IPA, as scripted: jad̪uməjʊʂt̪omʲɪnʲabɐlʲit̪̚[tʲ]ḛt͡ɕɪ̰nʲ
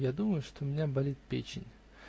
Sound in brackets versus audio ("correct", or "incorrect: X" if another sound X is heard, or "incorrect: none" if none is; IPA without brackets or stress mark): incorrect: pʲ